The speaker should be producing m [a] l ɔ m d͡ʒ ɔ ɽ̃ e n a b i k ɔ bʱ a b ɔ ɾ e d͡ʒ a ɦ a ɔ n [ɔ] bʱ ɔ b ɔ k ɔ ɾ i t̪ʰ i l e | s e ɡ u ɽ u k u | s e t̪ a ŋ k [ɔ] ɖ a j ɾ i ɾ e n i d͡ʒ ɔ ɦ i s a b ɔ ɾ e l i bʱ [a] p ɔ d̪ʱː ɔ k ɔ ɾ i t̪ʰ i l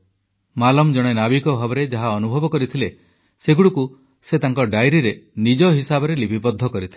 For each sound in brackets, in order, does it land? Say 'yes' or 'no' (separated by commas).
yes, no, yes, no